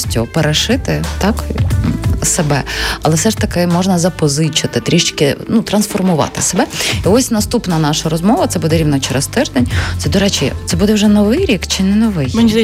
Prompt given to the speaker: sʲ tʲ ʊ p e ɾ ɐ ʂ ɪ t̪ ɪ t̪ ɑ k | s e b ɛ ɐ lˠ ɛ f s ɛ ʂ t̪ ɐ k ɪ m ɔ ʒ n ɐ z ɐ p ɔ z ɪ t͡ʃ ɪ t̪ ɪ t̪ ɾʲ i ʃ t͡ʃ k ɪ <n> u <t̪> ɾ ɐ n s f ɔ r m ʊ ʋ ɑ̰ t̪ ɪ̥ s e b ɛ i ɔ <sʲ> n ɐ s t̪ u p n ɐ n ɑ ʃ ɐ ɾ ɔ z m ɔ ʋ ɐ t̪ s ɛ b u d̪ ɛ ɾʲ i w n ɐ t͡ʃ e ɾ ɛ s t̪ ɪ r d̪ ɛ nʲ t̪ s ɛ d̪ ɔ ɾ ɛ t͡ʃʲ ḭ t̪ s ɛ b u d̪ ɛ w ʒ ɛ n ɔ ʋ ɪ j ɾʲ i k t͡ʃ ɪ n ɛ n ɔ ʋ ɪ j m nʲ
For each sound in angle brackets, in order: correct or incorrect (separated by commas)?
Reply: correct, correct, correct